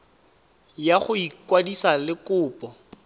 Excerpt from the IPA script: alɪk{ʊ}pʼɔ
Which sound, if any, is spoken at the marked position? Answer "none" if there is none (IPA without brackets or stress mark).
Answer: ʊː